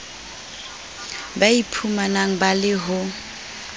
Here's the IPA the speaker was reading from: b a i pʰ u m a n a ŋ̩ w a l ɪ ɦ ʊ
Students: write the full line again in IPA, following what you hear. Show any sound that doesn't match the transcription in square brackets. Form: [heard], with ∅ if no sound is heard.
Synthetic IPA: b a i pʰ u m a n a ŋ̩ [b] a l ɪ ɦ ʊ